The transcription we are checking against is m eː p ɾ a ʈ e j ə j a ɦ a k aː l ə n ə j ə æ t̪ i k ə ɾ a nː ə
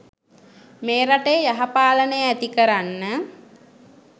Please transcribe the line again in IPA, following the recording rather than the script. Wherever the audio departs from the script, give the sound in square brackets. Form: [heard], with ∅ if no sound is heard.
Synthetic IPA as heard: m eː [∅] ɾ a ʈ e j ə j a ɦ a [p] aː l ə n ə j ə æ t̪ i k ə ɾ a nː ə